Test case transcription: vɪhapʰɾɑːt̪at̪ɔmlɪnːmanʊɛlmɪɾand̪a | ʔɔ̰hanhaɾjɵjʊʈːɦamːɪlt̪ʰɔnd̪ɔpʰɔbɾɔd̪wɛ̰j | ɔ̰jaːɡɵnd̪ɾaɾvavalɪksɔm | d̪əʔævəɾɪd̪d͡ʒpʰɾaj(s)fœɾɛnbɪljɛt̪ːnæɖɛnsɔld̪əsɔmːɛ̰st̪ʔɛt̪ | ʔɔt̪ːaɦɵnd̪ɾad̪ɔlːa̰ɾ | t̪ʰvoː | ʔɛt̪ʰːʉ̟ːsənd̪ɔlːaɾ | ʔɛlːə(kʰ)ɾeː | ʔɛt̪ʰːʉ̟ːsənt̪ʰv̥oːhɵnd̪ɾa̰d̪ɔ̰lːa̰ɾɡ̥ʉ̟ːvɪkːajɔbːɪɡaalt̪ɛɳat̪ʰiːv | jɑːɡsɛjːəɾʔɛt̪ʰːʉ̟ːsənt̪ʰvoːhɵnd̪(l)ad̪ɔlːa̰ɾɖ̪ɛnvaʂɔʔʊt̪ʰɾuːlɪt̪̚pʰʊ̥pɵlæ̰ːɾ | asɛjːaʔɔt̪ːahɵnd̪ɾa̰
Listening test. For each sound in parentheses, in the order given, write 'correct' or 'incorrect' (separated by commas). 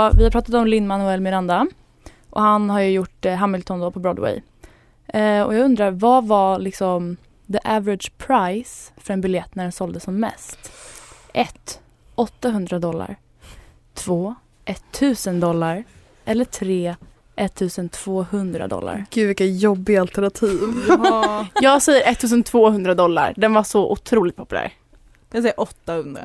correct, incorrect, incorrect